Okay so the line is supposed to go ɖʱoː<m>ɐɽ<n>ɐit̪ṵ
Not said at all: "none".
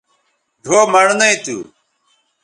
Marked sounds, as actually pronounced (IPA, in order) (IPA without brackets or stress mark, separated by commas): m, n